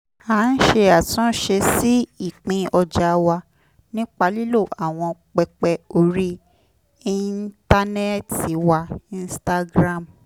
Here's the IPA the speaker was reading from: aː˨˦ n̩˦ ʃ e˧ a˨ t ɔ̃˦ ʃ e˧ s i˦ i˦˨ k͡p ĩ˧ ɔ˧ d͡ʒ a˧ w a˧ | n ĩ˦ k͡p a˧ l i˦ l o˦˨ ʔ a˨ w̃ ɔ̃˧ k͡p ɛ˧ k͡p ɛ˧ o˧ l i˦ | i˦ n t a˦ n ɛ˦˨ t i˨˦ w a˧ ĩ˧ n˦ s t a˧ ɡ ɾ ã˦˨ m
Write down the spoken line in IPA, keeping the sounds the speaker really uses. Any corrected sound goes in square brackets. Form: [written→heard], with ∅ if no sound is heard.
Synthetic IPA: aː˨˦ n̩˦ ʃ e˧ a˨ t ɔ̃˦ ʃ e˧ s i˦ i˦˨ k͡p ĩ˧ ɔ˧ d͡ʒ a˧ w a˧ | n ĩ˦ k͡p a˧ l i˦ l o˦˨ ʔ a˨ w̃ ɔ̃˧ k͡p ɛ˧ k͡p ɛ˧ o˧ [l→ɾ] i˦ | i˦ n t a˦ n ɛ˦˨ t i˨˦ w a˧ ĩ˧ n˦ s t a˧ ɡ ɾ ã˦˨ m